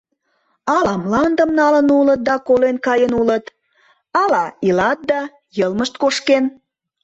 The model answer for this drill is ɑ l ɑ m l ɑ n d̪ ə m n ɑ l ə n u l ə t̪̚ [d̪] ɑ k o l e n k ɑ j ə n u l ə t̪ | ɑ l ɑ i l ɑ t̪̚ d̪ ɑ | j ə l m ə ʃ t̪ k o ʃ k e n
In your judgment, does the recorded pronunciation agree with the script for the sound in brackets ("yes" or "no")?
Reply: yes